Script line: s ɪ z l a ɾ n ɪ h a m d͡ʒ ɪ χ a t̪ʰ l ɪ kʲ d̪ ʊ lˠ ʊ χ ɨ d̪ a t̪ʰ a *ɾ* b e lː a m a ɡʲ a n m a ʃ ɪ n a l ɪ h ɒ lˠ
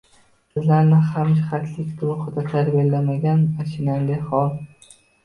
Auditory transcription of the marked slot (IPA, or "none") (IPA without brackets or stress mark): ɾ